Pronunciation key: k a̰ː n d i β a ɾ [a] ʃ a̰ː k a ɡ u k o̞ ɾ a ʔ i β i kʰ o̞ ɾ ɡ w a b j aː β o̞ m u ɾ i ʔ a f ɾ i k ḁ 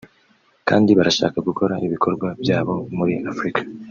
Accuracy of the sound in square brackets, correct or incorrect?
correct